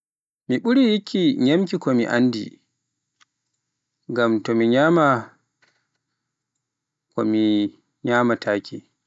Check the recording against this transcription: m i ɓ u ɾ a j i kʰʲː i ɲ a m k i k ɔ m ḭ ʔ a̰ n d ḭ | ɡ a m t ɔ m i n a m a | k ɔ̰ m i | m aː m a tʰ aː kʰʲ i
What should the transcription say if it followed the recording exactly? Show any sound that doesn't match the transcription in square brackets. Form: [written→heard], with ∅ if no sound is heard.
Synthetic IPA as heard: m i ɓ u ɾ [a→i] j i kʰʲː i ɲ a m k i k ɔ m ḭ ʔ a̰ n d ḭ | ɡ a m t ɔ m i [n→ɲ] a m a | k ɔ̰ m i | [m→ɲ] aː m a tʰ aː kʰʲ i